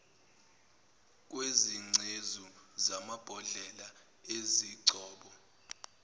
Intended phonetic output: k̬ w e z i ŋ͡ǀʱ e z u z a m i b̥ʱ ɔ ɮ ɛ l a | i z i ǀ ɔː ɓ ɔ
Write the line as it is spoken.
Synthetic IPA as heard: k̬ w e z i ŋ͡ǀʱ e z u z a m a b̥ʱ ɔ ɮ ɛ l a | e z i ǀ ɔː ɓ ɔ